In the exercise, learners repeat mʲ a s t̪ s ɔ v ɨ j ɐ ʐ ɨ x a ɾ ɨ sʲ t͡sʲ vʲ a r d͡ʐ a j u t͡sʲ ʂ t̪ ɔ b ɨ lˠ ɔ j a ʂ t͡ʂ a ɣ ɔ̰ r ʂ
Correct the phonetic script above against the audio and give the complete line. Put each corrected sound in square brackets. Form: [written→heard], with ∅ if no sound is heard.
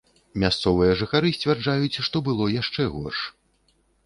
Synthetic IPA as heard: mʲ a s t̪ s ɔ v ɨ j ɐ ʐ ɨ x a ɾ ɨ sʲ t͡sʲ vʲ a r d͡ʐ a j u t͡sʲ ʂ t̪ ɔ b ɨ lˠ ɔ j a ʂ t͡ʂ [a→ɛ] ɣ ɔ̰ r ʂ